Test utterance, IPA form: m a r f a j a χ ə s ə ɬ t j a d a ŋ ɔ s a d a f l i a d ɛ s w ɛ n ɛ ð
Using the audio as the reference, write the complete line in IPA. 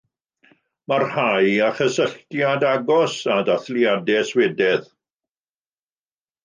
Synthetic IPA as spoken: m a r h a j a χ ə s ə ɬ t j a d a ɡ ɔ s a d a θ l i a d ɛ s w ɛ d ɛ ð

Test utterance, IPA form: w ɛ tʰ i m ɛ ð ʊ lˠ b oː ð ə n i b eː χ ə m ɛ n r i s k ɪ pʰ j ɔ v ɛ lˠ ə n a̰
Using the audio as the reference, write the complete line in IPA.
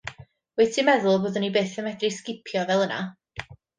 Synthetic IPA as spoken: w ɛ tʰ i m ɛ ð ʊ lˠ b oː ð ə n i b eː θ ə m ɛ d r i s k ɪ pʰ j ɔ v ɛ lˠ ə n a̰

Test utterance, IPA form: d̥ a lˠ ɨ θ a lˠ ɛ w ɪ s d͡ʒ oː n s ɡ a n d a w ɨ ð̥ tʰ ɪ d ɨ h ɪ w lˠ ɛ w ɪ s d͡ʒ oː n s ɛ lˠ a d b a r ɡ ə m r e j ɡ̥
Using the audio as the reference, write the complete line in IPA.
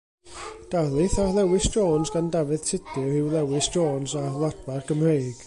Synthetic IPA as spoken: d̥ a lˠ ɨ θ a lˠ ɛ w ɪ s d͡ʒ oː n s ɡ a n d a v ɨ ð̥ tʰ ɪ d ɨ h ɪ w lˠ ɛ w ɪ s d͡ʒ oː n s a lˠ a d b a r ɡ ə m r e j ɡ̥

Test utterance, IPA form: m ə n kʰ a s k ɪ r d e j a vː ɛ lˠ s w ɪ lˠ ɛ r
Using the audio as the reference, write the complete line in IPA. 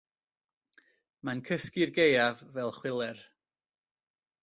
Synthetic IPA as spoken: m a n kʰ ə s k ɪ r ɡ e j a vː ɛ lˠ χ w ɪ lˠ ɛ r

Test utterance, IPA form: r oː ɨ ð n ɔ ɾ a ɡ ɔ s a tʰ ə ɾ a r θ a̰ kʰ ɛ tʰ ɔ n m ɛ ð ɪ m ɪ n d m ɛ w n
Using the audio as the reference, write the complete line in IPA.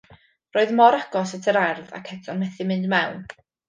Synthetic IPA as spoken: r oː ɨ ð m ɔ ɾ a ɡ ɔ s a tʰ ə ɾ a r ð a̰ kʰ ɛ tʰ ɔ n m ɛ θ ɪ m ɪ n d m ɛ w n

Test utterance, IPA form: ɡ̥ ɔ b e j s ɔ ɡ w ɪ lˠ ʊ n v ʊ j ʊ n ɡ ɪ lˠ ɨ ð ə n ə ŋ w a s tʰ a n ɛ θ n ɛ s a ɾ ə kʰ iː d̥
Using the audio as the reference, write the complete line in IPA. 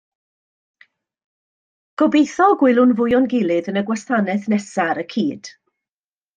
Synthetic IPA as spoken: ɡ̥ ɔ b e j θ ɔ ɡ w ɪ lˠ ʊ n v ʊ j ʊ n ɡ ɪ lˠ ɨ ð ə n ə ɡ w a s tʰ a n ɛ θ n ɛ s a ɾ ə kʰ iː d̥

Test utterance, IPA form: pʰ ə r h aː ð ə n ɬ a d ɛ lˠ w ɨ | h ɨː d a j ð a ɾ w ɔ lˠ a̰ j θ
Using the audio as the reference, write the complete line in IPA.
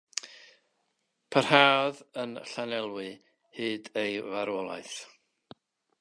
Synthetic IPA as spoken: pʰ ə r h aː ð ə n ɬ a n ɛ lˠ w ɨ | h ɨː d e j v a ɾ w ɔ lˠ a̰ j θ

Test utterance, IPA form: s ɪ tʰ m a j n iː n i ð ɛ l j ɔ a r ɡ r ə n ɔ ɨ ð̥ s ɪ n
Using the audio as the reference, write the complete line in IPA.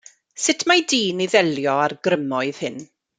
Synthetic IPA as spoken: s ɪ tʰ m a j d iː n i ð ɛ l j ɔ a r ɡ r ə m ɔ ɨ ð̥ h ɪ n

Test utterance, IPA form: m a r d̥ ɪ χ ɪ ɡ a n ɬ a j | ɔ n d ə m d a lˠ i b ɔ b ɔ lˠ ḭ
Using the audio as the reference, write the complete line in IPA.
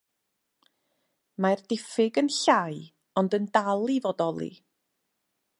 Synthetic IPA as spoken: m a r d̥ ɪ f ɪ ɡ ə n ɬ a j | ɔ n d ə n d a lˠ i v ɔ d ɔ lˠ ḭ

